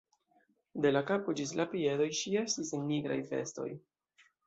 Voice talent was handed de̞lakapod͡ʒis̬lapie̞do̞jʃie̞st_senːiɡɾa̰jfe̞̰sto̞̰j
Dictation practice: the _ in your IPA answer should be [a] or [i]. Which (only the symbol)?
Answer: i